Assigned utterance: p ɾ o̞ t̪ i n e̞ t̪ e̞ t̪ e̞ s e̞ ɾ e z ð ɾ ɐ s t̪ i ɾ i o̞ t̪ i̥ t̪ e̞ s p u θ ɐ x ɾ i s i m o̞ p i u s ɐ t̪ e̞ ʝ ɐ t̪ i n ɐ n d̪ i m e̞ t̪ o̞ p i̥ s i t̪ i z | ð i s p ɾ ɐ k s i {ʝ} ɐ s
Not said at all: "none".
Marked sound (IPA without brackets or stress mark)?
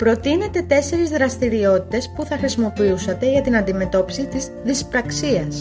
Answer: none